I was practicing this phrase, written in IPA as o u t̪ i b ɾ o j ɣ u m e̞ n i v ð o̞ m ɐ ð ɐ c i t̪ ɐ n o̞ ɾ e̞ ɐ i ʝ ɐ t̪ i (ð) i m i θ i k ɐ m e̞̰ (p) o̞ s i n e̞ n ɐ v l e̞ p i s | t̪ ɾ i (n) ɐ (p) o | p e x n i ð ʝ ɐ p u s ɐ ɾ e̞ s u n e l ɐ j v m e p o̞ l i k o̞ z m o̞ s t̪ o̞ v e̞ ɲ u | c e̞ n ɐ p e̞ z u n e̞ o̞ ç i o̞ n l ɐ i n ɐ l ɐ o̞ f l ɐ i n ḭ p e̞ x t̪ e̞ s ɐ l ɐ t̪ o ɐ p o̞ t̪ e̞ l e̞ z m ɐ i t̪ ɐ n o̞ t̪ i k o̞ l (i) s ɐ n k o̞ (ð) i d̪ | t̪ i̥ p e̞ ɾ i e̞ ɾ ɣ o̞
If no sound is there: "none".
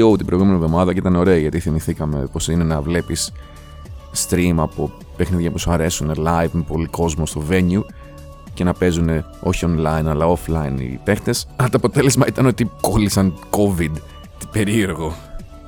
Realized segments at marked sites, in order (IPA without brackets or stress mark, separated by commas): θ, p, m, p, i, v